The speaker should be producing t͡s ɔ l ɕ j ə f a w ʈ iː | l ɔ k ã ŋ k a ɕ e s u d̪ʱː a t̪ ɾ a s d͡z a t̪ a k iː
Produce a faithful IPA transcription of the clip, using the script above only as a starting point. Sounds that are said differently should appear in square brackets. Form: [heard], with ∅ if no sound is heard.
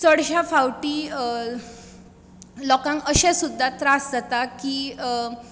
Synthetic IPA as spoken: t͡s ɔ [ɽ] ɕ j [a] f a w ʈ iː | l ɔ k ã ŋ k [ə] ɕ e s u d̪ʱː a t̪ ɾ a s d͡z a t̪ a k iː